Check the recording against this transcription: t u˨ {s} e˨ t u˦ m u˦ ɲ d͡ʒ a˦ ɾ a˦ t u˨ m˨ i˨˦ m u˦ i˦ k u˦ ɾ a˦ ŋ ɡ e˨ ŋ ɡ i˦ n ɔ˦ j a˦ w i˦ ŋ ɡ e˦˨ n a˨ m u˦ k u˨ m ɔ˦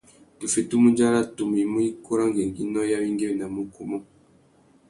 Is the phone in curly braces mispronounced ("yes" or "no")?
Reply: yes